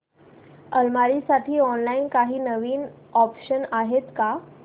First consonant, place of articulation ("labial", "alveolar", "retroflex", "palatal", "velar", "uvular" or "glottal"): alveolar